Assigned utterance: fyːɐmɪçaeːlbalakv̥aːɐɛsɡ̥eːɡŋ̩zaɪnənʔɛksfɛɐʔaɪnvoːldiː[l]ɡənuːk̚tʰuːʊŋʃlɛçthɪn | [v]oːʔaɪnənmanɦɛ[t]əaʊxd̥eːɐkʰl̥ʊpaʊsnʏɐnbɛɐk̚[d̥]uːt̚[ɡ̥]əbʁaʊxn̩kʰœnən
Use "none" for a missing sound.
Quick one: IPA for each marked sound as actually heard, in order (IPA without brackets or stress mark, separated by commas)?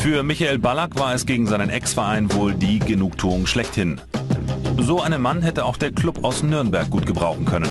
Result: none, z, t, ɡ̥, ɡ̥